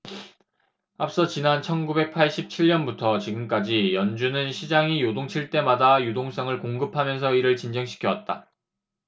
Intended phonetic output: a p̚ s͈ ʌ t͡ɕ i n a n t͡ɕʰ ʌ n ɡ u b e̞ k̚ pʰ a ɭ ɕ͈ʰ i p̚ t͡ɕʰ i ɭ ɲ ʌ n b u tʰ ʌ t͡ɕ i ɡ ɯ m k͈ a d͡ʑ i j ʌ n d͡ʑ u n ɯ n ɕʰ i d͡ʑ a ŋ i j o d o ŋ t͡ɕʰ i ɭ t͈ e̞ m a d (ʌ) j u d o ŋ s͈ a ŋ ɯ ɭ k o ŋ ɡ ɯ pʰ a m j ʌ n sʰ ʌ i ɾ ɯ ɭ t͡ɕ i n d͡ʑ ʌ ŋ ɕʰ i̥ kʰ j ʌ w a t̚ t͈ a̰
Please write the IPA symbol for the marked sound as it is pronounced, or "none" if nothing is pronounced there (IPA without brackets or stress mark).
a